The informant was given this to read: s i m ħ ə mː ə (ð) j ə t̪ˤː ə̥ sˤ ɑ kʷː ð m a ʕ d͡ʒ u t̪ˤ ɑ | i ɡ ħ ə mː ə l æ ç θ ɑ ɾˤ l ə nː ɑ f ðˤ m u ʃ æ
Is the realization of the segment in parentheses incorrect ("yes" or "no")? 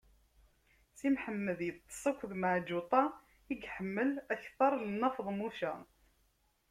no